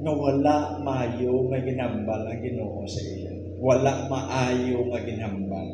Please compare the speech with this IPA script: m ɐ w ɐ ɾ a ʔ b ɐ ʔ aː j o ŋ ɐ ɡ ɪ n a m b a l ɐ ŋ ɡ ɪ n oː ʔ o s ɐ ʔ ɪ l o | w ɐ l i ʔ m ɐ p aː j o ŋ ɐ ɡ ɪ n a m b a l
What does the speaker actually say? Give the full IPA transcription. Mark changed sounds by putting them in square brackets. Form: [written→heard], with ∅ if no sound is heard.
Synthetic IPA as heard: [m→ŋ] ɐ w ɐ [ɾ→l] a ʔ [b→m] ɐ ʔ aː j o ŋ ɐ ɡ ɪ n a m b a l ɐ ŋ ɡ ɪ n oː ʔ o s ɐ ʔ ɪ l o | w ɐ l [i→a] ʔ m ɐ [p→ʔ] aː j o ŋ ɐ ɡ ɪ n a m b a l